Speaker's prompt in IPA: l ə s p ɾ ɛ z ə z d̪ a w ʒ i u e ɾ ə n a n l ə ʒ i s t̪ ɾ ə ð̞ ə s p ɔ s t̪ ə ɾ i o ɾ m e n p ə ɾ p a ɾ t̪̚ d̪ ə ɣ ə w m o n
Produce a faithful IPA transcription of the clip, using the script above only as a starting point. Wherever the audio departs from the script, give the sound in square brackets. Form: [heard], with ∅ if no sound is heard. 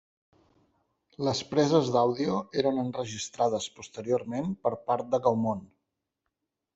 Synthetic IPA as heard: l ə s p ɾ ɛ z ə z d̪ a w [ð] i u e ɾ ə n [ə] n [r] ə ʒ i s t̪ ɾ [a] ð̞ ə s p [u] s t̪ ə ɾ i o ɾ m e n p ə ɾ p a ɾ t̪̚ d̪ ə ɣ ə w m o n